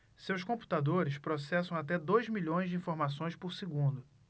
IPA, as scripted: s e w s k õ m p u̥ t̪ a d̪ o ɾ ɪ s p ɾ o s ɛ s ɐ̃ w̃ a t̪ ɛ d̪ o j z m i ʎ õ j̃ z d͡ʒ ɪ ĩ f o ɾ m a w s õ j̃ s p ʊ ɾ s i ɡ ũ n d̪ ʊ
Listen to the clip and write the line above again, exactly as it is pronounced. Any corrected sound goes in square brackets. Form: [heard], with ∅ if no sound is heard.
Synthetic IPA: s e w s k õ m p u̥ t̪ a d̪ o ɾ ɪ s p ɾ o s ɛ s ɐ̃ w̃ a t̪ ɛ d̪ o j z m i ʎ õ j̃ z d͡ʒ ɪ ĩ f o ɾ m a [∅] s õ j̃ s p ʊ ɾ s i ɡ ũ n d̪ ʊ